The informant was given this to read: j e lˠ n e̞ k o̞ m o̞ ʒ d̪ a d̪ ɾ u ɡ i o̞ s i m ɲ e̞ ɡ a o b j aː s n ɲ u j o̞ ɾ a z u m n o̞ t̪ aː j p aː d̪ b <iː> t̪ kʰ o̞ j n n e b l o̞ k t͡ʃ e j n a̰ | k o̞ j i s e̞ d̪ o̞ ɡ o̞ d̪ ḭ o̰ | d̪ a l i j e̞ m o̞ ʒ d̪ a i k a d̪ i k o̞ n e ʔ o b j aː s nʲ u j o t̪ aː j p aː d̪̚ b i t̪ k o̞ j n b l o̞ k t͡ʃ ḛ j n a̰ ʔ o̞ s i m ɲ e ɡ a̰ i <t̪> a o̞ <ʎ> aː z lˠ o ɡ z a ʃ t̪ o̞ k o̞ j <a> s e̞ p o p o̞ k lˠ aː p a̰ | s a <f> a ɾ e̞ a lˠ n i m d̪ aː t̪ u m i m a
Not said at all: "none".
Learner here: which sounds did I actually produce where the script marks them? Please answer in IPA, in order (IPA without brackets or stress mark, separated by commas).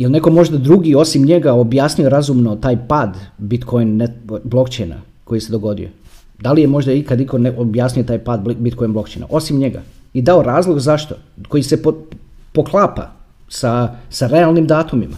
i, d̪, ɾ, i, s